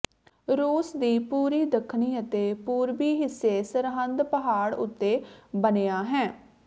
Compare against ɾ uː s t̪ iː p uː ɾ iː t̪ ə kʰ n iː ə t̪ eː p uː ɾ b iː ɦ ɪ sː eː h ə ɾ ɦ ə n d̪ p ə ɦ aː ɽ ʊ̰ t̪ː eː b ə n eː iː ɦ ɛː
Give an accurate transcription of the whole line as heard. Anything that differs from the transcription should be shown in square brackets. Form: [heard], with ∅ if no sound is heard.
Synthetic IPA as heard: ɾ uː s [d̪] iː p uː ɾ iː [d̪] ə kʰ n iː ə t̪ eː p uː ɾ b iː ɦ ɪ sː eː [s] ə ɾ ɦ ə n d̪ p ə ɦ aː ɽ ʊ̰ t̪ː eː b ə n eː [aː] ɦ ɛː

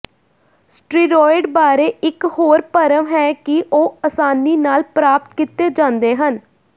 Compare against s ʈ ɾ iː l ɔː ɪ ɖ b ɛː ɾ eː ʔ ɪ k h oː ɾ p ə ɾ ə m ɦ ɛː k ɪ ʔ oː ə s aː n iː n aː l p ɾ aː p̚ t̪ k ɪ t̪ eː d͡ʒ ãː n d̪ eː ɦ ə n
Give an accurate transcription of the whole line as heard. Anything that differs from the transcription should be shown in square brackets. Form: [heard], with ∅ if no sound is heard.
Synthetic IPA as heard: s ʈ ɾ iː [ɾ] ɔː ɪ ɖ b [aː] ɾ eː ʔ ɪ k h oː ɾ p ə ɾ ə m ɦ ɛː k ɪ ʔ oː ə s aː n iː n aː l p ɾ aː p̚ t̪ k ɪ t̪ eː d͡ʒ ãː n d̪ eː ɦ ə n

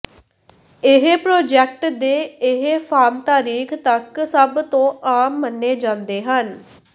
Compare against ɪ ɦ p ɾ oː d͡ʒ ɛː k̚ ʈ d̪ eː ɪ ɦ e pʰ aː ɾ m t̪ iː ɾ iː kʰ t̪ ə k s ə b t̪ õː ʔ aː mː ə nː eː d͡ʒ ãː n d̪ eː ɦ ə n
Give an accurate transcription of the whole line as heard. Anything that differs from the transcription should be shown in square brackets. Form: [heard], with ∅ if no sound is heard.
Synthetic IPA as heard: ɪ ɦ p ɾ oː d͡ʒ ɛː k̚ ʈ d̪ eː ɪ ɦ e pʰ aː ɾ m t̪ [aː] ɾ iː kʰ t̪ ə k s ə b t̪ õː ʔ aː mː ə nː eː d͡ʒ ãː n d̪ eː ɦ ə n

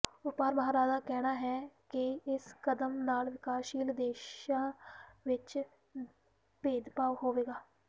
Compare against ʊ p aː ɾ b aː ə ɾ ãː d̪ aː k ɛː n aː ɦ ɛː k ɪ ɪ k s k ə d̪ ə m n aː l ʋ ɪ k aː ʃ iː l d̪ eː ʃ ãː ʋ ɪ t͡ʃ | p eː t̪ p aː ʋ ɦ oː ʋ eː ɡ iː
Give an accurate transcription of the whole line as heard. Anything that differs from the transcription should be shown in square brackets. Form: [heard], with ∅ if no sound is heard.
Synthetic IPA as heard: ʊ p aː ɾ b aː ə ɾ [aː] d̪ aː k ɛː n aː ɦ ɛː k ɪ ɪ [∅] s k ə d̪ ə m n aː l ʋ ɪ k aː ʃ iː l d̪ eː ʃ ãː ʋ ɪ t͡ʃ | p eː [d̪] p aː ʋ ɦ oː ʋ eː ɡ [aː]

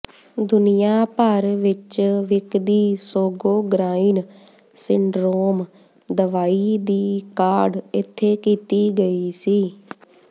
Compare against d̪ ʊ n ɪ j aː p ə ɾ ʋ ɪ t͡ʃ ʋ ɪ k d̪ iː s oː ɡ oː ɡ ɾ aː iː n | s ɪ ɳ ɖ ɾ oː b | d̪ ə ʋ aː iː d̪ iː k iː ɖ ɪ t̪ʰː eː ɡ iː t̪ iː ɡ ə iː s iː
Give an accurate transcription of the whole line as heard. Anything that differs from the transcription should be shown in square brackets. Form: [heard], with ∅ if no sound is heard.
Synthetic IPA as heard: d̪ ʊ n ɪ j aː p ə ɾ ʋ ɪ t͡ʃ ʋ ɪ k d̪ iː s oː ɡ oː ɡ ɾ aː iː n | s ɪ ɳ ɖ ɾ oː [m] | d̪ ə ʋ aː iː d̪ iː k [aː] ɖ ɪ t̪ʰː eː [k] iː t̪ iː ɡ ə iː s iː

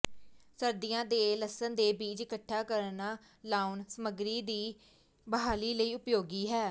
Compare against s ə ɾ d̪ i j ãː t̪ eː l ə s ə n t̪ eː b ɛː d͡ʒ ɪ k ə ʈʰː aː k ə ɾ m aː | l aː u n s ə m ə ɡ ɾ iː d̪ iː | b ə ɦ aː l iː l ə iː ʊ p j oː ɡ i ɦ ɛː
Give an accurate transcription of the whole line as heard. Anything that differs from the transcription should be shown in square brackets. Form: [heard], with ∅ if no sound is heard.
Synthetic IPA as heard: s ə ɾ d̪ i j ãː [d̪] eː l ə s ə n [d̪] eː b [iː] d͡ʒ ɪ k ə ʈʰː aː k ə ɾ [n] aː | l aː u n s ə m ə ɡ ɾ iː d̪ iː | b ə ɦ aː l iː l ə iː ʊ p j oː ɡ [iː] ɦ ɛː

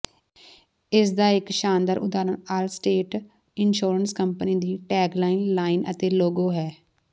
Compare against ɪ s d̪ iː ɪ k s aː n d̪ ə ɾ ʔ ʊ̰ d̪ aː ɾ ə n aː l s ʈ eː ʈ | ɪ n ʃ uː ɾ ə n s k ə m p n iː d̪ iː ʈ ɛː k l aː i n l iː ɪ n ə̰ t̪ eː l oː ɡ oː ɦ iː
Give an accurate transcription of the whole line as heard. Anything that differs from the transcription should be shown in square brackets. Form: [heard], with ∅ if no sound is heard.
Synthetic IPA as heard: ɪ s d̪ [aː] ɪ k [ʃ] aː n d̪ ə ɾ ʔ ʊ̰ d̪ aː ɾ ə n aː l s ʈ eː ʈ | ɪ n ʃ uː ɾ ə n s k ə m p n iː d̪ iː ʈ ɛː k l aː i n l [aː] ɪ n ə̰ t̪ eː l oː ɡ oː ɦ [ɛː]

